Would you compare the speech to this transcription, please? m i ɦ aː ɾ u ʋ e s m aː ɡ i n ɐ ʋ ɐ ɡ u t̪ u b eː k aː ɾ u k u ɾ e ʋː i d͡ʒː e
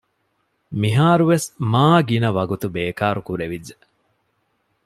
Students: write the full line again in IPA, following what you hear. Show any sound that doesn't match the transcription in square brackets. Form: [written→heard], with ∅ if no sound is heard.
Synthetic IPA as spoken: m i ɦ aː ɾ u ʋ e s m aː ɡ i n ɐ ʋ ɐ ɡ u t̪ u b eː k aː ɾ u k u ɾ e [ʋː→ʋ] i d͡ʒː e

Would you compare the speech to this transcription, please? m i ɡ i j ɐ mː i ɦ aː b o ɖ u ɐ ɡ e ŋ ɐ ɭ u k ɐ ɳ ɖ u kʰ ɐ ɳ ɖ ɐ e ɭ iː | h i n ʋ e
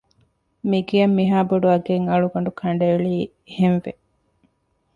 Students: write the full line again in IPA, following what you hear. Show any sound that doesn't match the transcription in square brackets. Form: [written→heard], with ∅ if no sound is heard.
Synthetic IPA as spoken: m i ɡ i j ɐ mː i ɦ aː b o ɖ u ɐ ɡ e ŋ ɐ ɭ u [k→ɡ] ɐ ɳ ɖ u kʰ ɐ ɳ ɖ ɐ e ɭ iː | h [i→e] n ʋ e

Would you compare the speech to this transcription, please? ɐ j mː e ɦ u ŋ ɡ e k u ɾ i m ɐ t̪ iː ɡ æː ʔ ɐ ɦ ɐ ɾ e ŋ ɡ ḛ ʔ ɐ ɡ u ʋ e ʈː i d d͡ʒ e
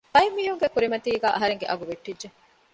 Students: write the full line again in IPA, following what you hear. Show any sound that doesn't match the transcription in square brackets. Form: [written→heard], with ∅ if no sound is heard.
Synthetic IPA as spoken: ɐ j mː [e→i] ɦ u ŋ ɡ e k u ɾ i m ɐ t̪ iː ɡ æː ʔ ɐ ɦ ɐ ɾ e ŋ ɡ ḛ ʔ ɐ ɡ u ʋ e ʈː i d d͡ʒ e

